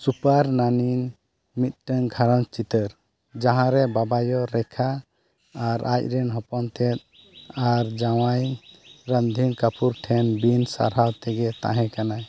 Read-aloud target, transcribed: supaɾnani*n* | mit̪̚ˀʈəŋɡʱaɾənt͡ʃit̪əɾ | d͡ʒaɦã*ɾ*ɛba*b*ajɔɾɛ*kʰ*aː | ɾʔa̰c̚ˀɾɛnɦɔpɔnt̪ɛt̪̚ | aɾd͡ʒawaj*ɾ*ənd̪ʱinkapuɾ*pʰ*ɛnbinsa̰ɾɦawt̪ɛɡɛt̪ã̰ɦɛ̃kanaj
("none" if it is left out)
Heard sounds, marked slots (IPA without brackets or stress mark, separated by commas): n, ɾ, b, kʰ, ɾ, ʈʰ